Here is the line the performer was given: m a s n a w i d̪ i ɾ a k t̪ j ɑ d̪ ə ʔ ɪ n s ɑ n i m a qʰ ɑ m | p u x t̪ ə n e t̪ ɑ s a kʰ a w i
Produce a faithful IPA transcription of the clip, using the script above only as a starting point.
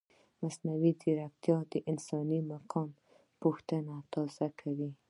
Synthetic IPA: m a s n a w i d̪ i ɾ a k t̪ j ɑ d̪ ə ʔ ɪ n s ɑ n i m a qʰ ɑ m | p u x t̪ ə n a t̪ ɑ z a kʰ a w i